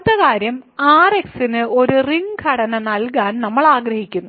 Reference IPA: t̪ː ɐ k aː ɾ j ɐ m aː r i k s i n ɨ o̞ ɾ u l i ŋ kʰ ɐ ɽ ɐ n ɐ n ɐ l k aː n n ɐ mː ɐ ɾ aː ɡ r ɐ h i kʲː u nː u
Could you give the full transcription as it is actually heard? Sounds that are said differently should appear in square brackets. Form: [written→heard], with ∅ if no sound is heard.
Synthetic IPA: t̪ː ɐ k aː ɾ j ɐ m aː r [i→e] k s i n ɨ o̞ ɾ u [l→r] i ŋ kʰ ɐ ɽ ɐ n ɐ n ɐ l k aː n n ɐ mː ɐ [ɾ→ɭ] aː ɡ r ɐ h i kʲː u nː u